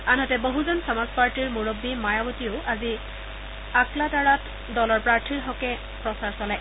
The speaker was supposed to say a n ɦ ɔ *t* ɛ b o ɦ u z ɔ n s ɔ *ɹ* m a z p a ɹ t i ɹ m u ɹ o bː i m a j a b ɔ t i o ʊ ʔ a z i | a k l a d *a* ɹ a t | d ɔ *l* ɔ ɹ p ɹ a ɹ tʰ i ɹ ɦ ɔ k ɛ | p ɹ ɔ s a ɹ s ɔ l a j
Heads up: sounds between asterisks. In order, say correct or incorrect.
correct, incorrect: none, correct, correct

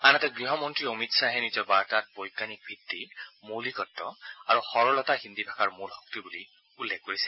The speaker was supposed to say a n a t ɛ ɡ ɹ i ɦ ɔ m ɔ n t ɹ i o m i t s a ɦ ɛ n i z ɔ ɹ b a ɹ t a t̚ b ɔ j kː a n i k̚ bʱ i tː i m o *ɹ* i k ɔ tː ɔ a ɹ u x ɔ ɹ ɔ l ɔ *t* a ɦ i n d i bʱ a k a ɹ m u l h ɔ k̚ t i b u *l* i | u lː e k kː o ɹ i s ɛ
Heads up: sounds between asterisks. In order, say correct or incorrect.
incorrect: l, correct, correct

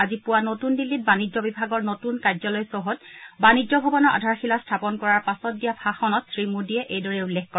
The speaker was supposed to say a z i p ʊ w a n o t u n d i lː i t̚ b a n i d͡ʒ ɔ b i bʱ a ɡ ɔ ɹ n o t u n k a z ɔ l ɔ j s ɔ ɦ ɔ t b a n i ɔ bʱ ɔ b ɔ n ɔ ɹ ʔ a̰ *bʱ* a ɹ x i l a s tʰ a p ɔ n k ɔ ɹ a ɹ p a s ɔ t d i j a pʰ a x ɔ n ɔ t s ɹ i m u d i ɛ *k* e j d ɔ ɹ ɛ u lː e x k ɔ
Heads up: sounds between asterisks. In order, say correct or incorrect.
incorrect: dʱ, incorrect: ʔ

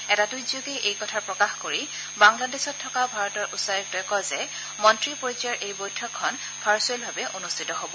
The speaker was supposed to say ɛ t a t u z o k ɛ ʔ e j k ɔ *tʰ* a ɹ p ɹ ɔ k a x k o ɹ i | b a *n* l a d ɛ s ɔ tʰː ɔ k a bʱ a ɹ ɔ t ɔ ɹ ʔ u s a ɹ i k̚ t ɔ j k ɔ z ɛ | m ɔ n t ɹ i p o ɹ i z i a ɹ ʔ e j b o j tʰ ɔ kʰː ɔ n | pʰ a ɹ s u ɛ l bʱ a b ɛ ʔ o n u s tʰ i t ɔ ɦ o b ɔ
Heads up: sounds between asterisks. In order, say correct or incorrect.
correct, incorrect: ŋ

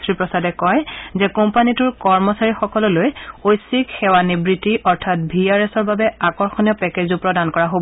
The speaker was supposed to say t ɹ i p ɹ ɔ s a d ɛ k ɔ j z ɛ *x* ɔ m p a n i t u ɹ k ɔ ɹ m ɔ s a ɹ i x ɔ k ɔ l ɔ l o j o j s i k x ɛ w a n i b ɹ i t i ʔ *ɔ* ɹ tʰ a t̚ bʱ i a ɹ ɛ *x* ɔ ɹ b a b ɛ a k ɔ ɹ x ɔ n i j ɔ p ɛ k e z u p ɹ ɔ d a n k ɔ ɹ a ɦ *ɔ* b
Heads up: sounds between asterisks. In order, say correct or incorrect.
incorrect: k, correct, incorrect: s, incorrect: o

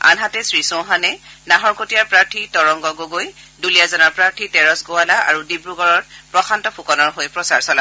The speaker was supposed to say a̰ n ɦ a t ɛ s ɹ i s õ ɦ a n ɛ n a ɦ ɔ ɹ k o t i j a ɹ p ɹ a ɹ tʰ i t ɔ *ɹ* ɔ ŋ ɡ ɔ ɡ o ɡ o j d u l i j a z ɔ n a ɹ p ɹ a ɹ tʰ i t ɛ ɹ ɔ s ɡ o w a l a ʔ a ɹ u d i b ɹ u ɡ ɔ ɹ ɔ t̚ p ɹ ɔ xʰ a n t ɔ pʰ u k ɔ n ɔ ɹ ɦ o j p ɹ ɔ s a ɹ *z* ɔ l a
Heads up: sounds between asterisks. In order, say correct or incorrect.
correct, incorrect: s

